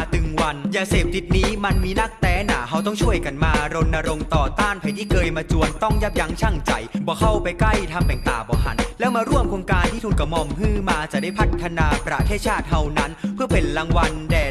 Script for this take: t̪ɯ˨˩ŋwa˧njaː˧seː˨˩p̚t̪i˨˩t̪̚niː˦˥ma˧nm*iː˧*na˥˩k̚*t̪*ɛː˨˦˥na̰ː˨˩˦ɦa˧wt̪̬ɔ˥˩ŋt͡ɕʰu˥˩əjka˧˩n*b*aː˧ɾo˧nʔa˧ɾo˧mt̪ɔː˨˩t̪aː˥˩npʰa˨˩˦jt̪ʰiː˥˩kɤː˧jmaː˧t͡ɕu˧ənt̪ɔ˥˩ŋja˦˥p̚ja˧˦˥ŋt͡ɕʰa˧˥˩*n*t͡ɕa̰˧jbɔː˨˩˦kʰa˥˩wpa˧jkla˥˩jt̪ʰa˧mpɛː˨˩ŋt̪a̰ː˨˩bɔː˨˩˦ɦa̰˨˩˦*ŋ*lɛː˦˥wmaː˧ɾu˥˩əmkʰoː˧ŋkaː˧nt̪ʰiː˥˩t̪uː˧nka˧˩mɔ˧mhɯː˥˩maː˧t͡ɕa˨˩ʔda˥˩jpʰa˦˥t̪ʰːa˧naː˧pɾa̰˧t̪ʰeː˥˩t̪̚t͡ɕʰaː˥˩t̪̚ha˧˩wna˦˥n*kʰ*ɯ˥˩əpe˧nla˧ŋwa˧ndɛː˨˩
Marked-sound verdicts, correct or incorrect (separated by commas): correct, correct, incorrect, incorrect, incorrect, incorrect